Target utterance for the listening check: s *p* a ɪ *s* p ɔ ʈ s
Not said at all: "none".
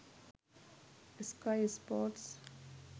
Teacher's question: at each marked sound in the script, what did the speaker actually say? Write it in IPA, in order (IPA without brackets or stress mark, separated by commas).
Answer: k, s